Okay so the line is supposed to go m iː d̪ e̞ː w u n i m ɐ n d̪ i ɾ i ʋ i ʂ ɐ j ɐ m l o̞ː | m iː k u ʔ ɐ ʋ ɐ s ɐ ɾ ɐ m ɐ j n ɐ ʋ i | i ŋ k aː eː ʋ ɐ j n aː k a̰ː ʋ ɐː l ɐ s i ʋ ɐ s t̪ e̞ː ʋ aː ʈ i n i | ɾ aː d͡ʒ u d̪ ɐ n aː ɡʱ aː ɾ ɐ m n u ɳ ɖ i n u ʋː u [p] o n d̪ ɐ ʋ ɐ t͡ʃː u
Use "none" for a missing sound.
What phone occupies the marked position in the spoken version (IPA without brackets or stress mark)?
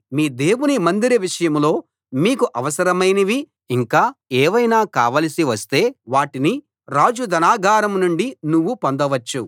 p